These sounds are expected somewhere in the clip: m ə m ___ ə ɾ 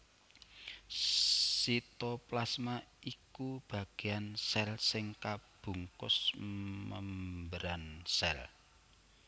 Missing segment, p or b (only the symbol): b